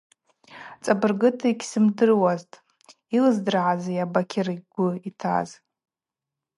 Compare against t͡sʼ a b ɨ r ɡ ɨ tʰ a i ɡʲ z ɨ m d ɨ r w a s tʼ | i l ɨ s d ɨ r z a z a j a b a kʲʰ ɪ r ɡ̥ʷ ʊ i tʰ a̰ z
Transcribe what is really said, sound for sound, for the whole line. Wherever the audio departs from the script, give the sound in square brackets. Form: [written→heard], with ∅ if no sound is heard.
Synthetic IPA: t͡sʼ a b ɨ r ɡ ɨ tʰ a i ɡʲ [z→s] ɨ m d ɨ r w a [s→z] tʼ | i l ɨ [s→z] d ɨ r [z→ʕ] a z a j a b a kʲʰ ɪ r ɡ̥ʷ ʊ i tʰ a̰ z